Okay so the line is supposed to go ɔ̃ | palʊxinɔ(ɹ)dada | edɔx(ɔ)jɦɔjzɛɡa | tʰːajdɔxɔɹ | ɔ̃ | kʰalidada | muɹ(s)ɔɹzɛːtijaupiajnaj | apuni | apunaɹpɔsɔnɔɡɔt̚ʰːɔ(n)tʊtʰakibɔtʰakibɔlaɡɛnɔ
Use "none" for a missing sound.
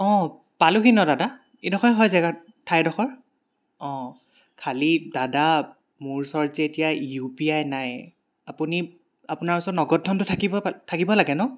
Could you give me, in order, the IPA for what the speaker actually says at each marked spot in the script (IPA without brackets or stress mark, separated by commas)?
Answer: none, ɔ, s, n